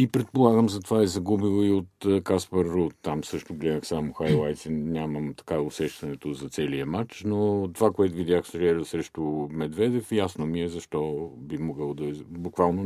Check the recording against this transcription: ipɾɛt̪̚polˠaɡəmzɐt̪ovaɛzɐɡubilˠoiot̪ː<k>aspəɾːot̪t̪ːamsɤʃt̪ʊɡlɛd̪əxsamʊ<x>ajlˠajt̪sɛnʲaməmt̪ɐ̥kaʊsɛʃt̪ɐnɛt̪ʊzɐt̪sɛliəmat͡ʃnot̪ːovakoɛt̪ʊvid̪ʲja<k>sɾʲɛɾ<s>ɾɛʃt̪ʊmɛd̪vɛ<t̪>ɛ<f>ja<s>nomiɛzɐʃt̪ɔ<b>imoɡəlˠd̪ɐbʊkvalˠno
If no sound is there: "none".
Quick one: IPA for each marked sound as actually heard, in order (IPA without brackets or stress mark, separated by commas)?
k, x, x, s, d̪, f, s, b